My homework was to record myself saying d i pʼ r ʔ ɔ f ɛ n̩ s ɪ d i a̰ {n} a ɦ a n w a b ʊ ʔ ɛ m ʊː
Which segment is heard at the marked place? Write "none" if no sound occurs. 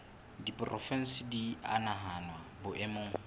n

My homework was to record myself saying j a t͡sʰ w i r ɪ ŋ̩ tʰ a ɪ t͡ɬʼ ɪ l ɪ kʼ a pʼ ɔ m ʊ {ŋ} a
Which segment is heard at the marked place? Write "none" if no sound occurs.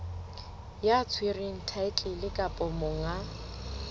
ŋ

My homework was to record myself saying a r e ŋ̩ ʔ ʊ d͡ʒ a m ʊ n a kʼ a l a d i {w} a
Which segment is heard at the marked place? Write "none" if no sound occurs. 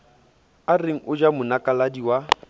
w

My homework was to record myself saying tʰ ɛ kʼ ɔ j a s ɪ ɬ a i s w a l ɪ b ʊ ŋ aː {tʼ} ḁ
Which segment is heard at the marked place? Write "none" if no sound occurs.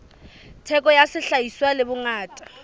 tʼ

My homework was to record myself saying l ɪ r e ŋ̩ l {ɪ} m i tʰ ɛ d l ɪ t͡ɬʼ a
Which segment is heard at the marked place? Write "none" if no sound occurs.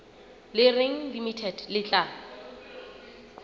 i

